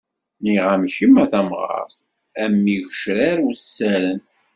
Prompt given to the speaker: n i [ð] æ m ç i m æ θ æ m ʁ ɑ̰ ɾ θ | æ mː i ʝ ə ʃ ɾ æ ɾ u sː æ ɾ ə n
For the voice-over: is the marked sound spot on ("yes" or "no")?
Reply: no